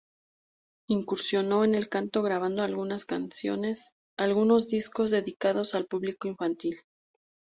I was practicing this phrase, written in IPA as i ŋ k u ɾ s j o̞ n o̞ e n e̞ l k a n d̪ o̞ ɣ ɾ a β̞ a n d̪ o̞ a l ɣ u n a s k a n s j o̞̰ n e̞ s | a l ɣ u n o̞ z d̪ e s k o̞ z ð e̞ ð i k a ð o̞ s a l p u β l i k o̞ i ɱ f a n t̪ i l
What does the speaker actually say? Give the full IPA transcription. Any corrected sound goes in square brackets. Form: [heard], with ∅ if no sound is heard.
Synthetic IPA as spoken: i ŋ k u ɾ s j o̞ n o̞ e n e̞ l k a n [t̪] o̞ ɣ ɾ a β̞ a n d̪ o̞ a l ɣ u n a s k a n s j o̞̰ n e̞ s | a l ɣ u n o̞ z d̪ [i] s k o̞ z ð e̞ ð i k a ð o̞ s a l p u β l i k o̞ i ɱ f a n t̪ i l